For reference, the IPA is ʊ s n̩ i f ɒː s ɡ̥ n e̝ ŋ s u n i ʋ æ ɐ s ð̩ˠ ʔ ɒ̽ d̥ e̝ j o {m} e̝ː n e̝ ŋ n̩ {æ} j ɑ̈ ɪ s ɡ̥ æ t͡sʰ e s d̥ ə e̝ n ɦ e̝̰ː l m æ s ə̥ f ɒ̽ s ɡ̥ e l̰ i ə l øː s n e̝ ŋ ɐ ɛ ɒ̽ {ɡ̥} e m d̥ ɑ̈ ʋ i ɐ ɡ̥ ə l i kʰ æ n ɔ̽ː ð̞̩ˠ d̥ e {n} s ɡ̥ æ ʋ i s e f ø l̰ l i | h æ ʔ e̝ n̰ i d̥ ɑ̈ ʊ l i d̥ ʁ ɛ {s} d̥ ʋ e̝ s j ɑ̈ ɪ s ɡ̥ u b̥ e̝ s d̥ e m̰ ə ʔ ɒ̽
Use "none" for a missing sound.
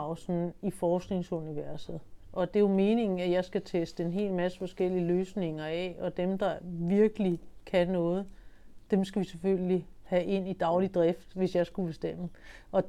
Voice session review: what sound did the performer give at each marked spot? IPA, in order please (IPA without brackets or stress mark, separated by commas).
m, æ, d̥, m, f